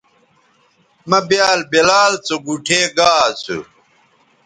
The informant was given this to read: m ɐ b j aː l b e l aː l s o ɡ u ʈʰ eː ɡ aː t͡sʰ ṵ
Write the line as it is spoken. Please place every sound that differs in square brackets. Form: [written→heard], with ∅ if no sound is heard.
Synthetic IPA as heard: m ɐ b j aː l b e l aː l [s→t͡s] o ɡ u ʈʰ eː ɡ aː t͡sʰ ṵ